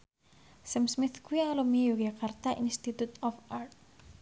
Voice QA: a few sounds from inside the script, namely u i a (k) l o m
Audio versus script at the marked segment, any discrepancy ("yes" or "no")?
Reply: yes